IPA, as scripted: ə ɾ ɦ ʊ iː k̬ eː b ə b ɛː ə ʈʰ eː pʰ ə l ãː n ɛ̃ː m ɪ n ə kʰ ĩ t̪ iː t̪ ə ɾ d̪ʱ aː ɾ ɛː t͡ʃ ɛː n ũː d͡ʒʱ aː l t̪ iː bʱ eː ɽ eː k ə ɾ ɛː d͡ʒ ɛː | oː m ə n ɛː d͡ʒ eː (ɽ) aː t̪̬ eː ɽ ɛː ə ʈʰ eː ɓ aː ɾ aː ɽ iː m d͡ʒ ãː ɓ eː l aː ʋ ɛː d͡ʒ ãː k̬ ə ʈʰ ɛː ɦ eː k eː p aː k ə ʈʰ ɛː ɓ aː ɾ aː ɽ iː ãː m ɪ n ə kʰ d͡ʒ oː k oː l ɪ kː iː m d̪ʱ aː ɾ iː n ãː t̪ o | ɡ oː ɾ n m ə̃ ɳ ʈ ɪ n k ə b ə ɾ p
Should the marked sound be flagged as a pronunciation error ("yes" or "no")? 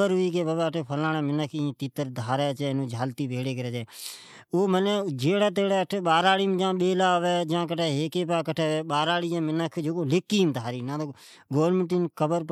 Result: no